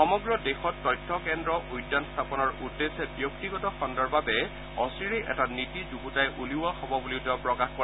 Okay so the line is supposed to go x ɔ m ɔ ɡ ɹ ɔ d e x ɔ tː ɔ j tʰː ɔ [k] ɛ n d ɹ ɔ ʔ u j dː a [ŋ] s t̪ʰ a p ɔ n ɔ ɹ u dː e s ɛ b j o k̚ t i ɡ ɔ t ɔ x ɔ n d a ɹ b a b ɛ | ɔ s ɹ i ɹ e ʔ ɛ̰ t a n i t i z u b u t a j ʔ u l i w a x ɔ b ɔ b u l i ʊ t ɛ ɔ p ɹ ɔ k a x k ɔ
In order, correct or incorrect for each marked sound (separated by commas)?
correct, incorrect